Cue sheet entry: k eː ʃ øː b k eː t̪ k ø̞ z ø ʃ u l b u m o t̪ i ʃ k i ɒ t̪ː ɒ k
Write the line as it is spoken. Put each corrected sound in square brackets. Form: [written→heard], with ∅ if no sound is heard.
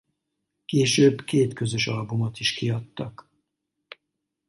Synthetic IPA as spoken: k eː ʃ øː b k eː t̪ k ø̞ z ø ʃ [u→ɒ] l b u m o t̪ i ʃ k i ɒ t̪ː ɒ k